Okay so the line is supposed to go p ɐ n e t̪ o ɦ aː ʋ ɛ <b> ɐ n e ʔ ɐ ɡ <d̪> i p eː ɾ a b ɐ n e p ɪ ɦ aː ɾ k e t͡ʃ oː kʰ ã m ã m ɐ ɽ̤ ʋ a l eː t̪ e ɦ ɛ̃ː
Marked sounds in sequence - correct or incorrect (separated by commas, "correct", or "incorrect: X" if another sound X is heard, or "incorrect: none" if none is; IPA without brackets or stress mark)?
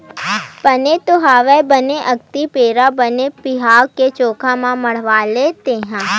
correct, incorrect: t̪